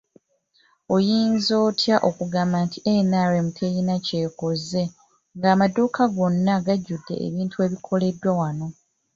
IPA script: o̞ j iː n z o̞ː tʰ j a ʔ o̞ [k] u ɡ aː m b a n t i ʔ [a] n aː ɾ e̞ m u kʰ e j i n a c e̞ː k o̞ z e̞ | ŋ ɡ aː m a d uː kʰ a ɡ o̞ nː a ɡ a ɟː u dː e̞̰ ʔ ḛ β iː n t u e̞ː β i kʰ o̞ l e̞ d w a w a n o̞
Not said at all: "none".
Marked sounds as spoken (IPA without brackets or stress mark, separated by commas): k, e